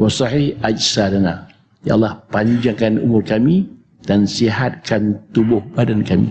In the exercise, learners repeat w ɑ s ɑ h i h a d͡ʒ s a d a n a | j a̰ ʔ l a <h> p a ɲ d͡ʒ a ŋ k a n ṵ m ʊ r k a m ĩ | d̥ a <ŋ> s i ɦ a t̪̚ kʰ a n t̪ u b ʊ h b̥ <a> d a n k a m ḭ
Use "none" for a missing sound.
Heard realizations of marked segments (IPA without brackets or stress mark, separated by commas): h, n, a